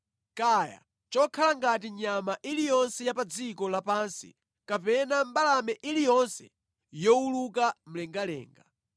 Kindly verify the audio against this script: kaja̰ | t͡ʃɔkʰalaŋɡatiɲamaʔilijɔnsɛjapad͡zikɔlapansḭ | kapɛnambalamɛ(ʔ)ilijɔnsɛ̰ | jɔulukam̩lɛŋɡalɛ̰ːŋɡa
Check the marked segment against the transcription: correct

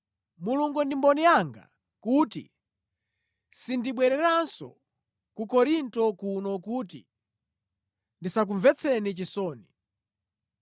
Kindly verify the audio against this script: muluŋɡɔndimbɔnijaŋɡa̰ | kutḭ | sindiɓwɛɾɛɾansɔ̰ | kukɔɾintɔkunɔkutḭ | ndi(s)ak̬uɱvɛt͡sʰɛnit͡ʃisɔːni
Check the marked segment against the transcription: correct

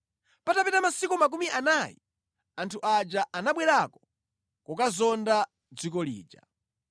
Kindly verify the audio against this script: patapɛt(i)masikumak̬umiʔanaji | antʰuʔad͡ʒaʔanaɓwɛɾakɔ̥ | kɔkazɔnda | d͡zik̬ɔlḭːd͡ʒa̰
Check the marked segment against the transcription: incorrect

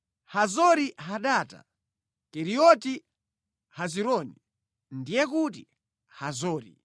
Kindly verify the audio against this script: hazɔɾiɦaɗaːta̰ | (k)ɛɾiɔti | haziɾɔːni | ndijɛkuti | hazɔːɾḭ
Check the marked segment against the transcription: correct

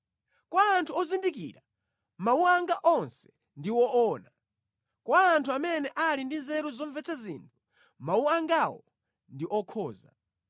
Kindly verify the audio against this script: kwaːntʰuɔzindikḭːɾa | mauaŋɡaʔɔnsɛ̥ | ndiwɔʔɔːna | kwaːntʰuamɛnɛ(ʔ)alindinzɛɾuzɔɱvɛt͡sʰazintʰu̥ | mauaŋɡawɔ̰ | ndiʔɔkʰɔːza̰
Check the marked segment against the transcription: correct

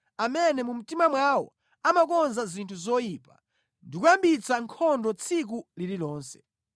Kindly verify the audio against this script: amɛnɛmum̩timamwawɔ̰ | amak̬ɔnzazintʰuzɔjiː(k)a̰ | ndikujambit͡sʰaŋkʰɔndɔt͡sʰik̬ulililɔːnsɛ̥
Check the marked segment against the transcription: incorrect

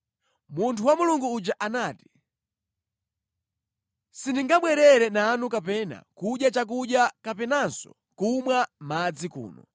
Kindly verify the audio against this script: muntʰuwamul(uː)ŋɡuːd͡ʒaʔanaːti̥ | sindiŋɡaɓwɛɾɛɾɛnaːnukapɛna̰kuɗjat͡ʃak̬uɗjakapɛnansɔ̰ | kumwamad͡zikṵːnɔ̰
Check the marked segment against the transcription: incorrect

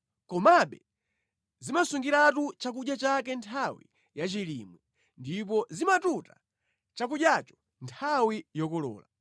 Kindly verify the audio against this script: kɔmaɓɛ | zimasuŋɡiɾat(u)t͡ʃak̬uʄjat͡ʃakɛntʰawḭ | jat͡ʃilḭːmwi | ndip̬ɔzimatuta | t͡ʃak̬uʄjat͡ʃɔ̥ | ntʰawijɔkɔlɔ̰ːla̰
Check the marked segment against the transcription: correct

